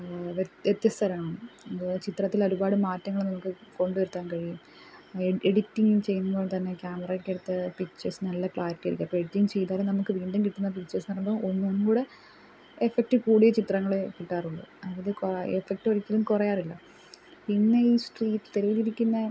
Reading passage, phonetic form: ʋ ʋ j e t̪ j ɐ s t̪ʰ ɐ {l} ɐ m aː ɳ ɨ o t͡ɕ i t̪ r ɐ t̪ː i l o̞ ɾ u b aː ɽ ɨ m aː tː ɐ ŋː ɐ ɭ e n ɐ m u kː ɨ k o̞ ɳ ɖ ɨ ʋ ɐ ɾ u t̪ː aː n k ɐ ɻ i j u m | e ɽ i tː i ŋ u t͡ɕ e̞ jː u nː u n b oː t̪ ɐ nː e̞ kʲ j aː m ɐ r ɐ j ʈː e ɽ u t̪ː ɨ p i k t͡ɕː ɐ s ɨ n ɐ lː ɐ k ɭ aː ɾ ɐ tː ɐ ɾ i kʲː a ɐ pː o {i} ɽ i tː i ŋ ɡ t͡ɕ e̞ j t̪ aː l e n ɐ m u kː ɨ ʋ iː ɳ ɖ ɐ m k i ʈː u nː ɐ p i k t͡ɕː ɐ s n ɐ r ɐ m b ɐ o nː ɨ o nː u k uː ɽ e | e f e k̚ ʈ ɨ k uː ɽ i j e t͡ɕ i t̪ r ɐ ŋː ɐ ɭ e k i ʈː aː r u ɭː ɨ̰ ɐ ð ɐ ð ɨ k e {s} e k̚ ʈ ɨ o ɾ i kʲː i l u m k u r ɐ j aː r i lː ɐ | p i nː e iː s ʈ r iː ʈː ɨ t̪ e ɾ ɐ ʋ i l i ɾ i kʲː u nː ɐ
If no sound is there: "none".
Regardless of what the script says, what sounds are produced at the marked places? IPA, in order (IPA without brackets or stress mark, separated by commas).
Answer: ɾ, e, f